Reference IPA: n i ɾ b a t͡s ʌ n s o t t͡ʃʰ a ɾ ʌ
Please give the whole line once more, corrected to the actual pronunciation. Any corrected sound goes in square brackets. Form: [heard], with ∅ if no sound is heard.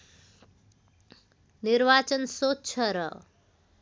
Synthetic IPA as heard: n i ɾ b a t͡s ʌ n s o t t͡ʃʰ [ʌ] ɾ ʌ